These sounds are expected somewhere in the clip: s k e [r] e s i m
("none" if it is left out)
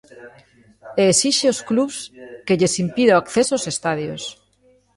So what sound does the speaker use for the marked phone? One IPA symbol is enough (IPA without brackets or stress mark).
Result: ʎ